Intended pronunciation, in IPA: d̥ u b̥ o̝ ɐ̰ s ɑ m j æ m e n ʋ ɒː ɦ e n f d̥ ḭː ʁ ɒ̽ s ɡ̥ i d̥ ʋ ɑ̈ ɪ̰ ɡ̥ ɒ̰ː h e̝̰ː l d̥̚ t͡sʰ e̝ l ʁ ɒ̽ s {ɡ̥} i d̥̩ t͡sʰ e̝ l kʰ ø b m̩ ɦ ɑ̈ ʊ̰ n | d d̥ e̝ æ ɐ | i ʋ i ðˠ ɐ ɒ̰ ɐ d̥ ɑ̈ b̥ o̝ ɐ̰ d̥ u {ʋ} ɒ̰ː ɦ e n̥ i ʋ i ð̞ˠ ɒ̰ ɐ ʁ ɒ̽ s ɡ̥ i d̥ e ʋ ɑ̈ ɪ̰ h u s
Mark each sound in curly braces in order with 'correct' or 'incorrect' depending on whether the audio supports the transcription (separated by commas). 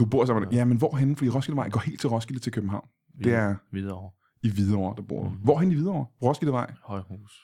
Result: correct, correct